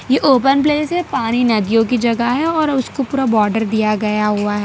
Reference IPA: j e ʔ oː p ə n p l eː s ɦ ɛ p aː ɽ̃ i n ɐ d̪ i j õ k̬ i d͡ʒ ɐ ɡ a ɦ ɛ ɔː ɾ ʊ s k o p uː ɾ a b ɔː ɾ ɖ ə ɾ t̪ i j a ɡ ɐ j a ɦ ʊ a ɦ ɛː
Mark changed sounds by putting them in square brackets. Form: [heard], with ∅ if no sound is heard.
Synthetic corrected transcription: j e ʔ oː p ə n p l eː s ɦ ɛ p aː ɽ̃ i n ɐ d̪ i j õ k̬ i d͡ʒ ɐ ɡ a ɦ ɛ ɔː ɾ ʊ s k o p uː ɾ a b ɔː ɾ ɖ ə ɾ [d̪] i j a ɡ ɐ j a ɦ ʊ a ɦ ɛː